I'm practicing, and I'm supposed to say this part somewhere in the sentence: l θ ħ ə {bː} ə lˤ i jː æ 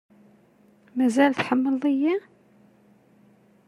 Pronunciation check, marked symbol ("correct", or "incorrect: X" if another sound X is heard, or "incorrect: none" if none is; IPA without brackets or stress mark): incorrect: mː